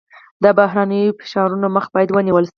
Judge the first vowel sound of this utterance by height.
mid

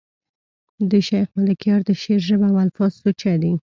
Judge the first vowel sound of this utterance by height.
mid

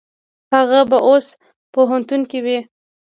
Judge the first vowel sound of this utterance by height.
low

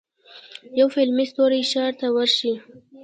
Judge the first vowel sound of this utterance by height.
low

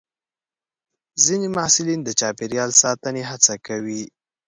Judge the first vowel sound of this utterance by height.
high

